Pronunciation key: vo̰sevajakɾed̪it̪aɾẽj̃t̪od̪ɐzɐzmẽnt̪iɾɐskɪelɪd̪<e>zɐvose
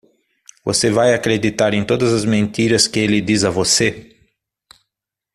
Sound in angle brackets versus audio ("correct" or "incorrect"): incorrect